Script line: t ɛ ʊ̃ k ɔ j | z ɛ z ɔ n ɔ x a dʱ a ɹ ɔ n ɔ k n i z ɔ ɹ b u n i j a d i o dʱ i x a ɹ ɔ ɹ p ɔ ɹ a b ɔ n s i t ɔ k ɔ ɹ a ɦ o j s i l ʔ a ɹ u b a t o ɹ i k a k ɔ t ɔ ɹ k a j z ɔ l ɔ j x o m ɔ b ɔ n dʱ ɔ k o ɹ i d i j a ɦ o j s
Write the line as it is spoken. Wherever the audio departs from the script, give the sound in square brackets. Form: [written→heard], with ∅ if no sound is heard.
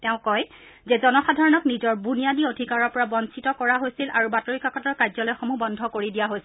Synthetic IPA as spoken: t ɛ ʊ̃ k ɔ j | z ɛ z ɔ n ɔ x a dʱ a ɹ ɔ n ɔ k n i z ɔ ɹ b u n i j a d i o dʱ i [x→k] a ɹ ɔ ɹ p ɔ ɹ a b ɔ n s i t ɔ k ɔ ɹ a ɦ o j s i l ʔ a ɹ u b a t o ɹ i k a k ɔ t ɔ ɹ k a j z ɔ l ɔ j x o m [ɔ→u] b ɔ n dʱ ɔ k o ɹ i d i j a ɦ o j s

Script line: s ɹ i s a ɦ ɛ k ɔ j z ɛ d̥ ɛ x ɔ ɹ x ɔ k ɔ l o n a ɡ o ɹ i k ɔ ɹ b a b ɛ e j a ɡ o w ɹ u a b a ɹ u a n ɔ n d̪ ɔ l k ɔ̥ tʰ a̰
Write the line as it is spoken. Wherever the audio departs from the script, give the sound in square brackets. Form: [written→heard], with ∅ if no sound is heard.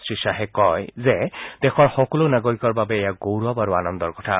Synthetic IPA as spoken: s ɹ i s a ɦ ɛ k ɔ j z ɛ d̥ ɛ x ɔ ɹ x ɔ k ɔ l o n a ɡ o ɹ i k ɔ ɹ b a b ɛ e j a ɡ o w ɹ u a b a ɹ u a n ɔ n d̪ ɔ [l→ɹ] k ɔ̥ tʰ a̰

